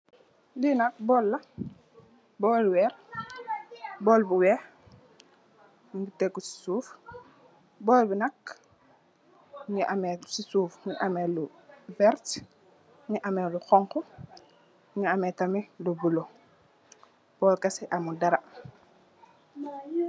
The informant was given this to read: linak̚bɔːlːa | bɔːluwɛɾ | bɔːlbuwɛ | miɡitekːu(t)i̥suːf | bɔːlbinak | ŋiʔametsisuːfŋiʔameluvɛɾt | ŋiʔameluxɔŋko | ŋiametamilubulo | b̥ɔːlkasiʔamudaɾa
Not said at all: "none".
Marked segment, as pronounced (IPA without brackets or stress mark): s